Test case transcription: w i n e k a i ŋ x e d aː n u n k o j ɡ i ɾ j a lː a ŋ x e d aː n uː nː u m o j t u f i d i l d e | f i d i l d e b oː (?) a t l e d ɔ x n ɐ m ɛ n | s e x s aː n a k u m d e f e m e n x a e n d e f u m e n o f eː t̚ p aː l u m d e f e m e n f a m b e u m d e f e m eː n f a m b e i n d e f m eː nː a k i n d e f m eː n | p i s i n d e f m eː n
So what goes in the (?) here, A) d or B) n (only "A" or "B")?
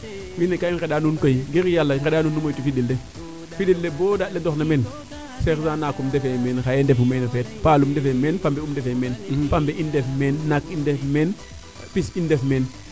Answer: A